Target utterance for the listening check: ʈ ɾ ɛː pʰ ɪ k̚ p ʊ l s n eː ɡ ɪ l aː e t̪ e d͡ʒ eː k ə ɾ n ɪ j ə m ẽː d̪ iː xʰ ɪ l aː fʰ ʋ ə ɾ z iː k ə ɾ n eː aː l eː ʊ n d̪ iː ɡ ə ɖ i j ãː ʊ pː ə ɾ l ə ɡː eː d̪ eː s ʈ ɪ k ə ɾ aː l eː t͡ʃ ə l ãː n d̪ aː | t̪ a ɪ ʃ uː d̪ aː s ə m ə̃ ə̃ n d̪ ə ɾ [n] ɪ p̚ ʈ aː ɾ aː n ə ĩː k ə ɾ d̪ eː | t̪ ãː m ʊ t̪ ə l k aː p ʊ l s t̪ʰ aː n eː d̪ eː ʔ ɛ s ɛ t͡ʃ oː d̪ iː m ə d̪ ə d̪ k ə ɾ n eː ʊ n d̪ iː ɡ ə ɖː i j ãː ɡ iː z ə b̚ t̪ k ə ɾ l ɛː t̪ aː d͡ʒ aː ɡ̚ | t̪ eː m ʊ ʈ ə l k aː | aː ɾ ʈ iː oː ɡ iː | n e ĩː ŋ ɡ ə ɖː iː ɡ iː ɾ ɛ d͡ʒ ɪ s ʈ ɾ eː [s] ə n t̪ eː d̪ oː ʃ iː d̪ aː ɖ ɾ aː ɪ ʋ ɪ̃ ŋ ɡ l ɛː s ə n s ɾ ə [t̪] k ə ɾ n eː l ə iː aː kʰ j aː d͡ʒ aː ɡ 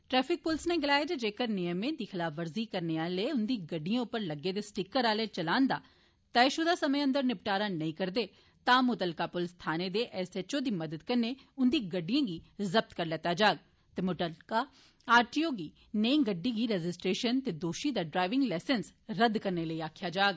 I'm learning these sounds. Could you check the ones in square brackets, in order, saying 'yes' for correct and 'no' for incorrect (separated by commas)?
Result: yes, no, no